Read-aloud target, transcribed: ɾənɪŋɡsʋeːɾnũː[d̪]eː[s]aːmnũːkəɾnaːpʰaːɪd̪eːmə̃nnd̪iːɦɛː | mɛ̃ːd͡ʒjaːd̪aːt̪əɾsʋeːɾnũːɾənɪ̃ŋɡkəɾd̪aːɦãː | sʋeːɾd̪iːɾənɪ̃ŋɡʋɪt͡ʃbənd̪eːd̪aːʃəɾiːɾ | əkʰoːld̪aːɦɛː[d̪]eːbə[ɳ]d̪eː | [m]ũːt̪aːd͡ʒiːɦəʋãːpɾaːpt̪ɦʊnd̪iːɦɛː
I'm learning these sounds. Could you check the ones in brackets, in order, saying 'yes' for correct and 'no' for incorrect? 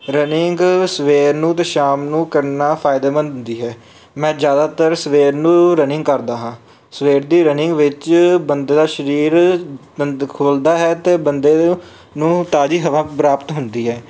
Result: no, no, no, no, no

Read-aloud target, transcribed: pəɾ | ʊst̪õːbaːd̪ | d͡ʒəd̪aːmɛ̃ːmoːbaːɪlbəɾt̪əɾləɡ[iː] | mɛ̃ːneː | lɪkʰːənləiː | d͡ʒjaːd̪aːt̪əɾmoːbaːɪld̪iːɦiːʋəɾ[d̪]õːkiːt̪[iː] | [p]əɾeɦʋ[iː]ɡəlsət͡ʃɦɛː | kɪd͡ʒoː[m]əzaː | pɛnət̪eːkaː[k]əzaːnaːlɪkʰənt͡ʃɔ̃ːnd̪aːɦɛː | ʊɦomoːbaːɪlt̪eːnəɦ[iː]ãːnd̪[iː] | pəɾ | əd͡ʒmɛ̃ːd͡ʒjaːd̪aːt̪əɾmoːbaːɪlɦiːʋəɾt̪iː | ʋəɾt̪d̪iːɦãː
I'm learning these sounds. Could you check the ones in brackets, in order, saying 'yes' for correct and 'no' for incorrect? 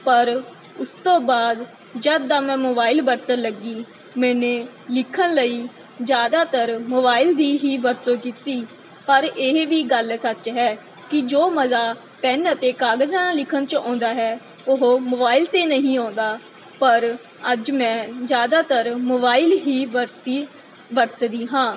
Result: yes, no, yes, yes, yes, yes, no, no, no

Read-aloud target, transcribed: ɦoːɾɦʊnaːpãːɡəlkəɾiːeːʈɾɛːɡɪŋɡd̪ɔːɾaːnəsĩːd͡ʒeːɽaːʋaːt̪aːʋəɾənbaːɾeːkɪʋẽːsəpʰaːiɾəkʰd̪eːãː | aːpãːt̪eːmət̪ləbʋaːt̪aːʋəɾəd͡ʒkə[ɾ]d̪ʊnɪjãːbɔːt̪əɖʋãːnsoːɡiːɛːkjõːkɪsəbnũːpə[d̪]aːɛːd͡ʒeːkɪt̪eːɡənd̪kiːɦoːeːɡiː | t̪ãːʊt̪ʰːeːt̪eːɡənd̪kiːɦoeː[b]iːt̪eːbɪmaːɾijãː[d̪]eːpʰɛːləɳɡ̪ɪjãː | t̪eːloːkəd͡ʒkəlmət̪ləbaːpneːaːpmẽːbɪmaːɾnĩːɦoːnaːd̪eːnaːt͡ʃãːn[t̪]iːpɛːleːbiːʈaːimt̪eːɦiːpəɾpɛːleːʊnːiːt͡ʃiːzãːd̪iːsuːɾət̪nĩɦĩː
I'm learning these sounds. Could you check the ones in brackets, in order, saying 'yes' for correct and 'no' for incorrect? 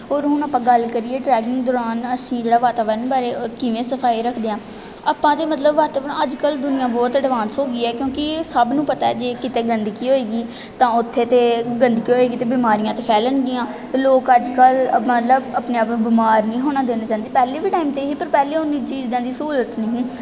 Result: no, no, no, no, no

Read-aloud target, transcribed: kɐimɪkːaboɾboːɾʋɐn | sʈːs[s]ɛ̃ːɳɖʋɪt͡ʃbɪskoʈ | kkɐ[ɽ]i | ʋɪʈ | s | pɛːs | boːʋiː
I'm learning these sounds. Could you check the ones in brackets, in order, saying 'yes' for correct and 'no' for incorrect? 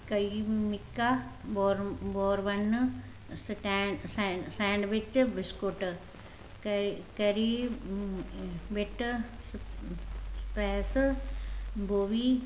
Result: yes, no

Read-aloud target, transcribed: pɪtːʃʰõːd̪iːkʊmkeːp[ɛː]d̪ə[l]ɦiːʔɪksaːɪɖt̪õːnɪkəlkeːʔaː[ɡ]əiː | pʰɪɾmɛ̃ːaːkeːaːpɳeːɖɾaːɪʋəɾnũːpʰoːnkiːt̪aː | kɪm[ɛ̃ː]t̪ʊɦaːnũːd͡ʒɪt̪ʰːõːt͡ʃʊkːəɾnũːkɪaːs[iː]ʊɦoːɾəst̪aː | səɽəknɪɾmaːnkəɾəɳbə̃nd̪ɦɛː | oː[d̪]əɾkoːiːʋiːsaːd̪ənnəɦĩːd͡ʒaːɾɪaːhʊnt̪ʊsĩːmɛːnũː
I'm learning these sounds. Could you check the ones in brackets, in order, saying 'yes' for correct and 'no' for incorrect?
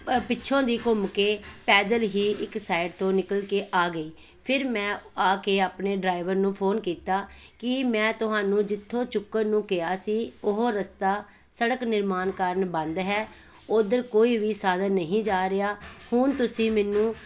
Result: yes, yes, yes, yes, yes, yes

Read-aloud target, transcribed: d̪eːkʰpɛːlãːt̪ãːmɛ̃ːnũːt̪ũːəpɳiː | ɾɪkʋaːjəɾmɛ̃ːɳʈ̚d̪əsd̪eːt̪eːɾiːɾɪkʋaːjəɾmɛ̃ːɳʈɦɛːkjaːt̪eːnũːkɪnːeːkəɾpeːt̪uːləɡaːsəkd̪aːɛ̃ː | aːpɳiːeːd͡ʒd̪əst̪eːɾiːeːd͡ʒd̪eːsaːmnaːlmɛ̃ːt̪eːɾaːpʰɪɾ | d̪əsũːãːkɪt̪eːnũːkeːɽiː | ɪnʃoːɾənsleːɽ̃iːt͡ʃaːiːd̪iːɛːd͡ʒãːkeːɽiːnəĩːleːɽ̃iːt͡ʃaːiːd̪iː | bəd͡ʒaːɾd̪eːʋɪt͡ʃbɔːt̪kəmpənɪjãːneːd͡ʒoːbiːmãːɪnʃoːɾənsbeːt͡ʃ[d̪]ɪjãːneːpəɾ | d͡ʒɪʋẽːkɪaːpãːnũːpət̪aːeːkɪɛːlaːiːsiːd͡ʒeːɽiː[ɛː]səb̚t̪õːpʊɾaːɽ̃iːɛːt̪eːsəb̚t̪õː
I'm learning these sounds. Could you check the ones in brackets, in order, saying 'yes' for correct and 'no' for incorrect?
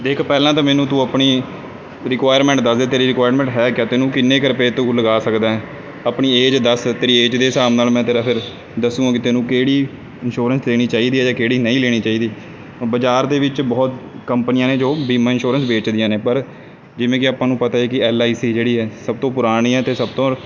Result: yes, yes

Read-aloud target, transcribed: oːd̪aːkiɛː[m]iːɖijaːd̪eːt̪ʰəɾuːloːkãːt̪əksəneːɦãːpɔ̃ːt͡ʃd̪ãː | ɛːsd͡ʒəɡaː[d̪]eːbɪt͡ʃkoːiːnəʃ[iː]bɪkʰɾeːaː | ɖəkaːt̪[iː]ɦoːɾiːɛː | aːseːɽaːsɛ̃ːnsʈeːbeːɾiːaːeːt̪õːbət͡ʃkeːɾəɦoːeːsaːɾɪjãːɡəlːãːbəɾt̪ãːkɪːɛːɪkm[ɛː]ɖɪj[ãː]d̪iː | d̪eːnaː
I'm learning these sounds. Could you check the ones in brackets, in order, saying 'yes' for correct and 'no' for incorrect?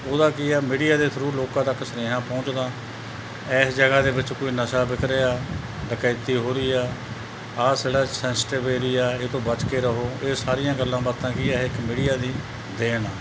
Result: yes, yes, no, yes, no, no

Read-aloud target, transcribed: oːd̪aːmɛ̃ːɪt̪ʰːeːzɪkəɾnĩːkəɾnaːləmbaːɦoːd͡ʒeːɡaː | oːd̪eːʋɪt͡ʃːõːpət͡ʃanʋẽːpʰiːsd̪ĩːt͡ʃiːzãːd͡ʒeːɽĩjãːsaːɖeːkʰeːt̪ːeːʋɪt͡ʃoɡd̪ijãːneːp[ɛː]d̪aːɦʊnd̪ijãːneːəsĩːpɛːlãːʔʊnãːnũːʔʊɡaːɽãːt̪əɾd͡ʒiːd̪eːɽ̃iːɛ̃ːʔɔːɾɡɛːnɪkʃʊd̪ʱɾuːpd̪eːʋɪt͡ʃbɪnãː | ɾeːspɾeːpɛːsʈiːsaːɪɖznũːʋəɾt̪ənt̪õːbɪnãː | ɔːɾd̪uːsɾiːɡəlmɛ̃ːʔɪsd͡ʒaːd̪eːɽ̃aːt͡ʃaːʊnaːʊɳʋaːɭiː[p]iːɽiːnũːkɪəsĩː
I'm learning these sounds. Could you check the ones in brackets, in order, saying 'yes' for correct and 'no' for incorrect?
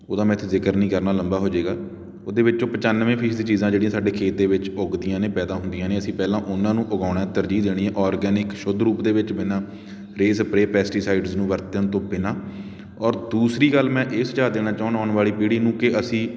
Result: yes, yes

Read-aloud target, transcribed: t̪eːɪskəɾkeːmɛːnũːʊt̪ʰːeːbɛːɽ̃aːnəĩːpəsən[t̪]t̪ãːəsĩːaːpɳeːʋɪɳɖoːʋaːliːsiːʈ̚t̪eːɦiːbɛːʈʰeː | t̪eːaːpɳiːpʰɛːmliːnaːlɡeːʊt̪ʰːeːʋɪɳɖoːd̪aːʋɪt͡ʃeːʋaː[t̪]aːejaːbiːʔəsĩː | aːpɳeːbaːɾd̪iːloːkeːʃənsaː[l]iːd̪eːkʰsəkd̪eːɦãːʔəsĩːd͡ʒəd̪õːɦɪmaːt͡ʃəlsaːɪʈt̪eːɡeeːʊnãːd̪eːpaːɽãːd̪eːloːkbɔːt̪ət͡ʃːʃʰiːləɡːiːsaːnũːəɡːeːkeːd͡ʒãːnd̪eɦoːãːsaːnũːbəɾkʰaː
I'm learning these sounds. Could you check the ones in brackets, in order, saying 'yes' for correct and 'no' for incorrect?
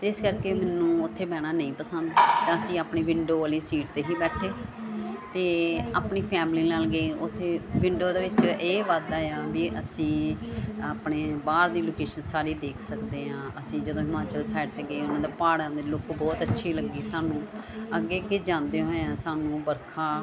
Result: no, no, no

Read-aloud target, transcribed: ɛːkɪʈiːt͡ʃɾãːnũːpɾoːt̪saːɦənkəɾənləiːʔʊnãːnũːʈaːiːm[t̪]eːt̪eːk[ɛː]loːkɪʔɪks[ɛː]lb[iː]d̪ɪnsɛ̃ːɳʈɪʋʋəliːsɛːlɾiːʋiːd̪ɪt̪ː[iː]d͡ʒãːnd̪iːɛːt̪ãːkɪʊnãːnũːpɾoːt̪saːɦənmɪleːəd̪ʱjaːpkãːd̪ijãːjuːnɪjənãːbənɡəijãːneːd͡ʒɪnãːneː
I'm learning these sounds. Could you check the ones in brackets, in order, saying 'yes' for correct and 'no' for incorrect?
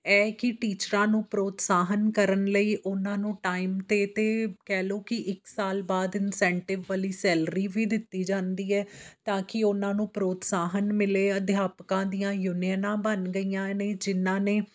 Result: yes, yes, no, no, yes

